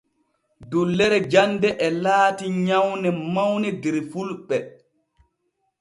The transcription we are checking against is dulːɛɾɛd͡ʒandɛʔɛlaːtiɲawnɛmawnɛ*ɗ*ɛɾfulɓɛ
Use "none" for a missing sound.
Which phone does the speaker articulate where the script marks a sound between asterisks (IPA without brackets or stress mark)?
d